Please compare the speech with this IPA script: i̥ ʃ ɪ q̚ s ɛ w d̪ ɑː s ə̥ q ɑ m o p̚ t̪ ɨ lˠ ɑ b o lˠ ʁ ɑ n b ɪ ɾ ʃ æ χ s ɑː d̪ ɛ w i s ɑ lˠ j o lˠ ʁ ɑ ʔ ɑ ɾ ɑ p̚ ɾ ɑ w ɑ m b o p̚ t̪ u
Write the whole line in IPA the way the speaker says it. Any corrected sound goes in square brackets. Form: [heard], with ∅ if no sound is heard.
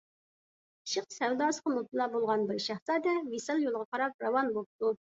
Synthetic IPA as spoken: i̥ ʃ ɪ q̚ s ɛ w d̪ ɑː s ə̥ q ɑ m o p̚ t̪ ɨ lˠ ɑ b o lˠ ʁ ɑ n b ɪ ɾ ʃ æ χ s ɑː d̪ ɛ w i s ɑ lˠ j o lˠ ʁ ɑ [q] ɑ ɾ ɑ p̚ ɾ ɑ w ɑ [n] b o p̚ t̪ u